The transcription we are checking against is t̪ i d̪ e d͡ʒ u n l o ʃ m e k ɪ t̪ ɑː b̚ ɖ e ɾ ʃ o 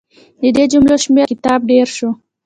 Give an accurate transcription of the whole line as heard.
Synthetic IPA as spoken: d̪ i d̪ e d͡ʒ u m l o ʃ m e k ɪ t̪ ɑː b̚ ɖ e ɾ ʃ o